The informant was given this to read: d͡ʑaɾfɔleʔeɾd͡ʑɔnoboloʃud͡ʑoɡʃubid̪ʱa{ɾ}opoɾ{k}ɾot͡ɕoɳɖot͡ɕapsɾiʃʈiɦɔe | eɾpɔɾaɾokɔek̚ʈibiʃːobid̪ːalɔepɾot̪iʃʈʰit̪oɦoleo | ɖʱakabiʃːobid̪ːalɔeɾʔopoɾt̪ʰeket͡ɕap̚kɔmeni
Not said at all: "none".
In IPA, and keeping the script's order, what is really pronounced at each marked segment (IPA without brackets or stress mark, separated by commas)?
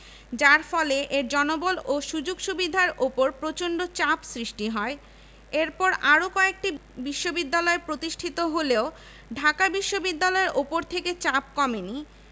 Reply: ɾ, p